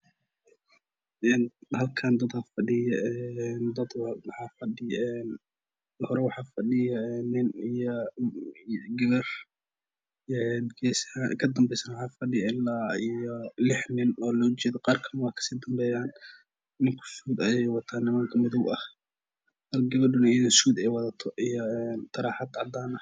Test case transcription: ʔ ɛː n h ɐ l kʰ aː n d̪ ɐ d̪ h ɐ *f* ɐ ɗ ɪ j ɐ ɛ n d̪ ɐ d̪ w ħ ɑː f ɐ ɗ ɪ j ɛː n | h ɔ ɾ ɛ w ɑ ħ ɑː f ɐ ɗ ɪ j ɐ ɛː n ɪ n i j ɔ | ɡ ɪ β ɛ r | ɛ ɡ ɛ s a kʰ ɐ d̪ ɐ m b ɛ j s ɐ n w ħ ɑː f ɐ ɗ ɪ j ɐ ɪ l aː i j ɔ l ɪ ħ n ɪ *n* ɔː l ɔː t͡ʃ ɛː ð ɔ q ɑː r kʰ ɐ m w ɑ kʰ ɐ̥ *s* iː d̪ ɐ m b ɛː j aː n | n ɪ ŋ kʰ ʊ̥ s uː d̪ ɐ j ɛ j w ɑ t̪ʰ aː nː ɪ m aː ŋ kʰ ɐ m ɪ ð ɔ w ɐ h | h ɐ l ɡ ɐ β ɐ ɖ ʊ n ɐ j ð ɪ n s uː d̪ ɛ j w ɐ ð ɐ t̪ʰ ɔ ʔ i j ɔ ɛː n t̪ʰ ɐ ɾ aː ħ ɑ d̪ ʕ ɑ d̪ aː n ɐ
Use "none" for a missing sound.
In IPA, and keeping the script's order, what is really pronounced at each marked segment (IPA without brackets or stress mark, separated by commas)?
f, n, s